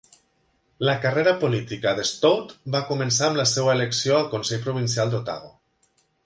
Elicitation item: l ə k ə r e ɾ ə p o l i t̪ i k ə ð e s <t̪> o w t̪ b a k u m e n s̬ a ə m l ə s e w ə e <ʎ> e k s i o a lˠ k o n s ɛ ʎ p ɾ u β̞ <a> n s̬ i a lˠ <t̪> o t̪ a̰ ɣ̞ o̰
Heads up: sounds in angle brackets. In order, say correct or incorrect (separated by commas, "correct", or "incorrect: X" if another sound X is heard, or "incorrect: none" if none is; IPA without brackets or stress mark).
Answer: correct, incorrect: l, incorrect: i, incorrect: d̪